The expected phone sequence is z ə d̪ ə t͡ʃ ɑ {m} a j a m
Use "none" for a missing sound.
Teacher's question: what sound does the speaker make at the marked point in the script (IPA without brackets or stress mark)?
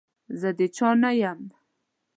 n